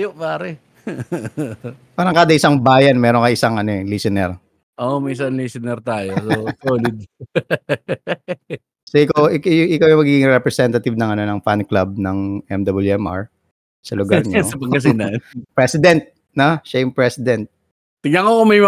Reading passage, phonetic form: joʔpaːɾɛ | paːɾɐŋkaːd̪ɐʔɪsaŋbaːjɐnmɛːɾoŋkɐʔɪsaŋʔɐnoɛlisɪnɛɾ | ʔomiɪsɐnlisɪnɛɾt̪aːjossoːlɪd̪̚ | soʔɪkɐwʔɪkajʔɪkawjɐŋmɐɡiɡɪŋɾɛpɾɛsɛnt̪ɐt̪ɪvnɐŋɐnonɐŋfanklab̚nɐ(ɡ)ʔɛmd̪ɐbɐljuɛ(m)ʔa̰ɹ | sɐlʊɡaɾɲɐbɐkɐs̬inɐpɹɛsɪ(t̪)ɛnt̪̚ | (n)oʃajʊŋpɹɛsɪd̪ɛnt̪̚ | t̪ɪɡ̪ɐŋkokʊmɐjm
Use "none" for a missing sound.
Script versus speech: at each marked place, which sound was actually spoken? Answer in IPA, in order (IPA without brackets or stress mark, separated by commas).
ŋ, m, d̪, n